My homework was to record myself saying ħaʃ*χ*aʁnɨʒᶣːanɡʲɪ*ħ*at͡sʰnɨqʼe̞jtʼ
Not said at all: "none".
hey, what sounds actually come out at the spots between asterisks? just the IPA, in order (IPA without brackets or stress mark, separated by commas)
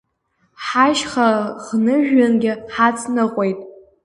χ, ħ